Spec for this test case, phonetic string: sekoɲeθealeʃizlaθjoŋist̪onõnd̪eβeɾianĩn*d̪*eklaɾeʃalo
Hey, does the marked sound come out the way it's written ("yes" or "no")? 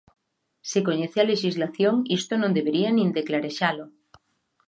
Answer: yes